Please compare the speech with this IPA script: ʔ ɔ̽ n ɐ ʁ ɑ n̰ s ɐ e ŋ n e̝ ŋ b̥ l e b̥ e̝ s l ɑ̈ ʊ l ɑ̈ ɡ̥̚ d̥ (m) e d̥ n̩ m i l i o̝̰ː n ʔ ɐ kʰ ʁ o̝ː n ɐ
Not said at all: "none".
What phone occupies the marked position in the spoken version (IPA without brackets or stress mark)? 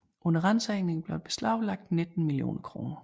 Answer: n